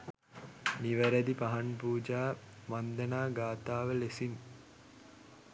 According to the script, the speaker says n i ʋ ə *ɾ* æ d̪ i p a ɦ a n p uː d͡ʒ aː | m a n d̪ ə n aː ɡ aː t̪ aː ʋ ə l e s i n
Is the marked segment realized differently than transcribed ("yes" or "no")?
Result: no